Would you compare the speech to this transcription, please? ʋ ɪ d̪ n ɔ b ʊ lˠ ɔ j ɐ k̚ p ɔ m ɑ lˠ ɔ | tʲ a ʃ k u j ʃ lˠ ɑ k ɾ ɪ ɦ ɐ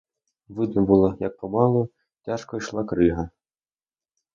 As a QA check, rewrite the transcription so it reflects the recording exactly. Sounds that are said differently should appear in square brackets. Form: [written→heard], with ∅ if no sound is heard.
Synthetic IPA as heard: ʋ ɪ d̪ n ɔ b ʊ lˠ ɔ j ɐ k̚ p ɔ m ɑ lˠ ɔ | tʲ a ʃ k [u→ɔ] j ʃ lˠ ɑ k ɾ ɪ ɦ ɐ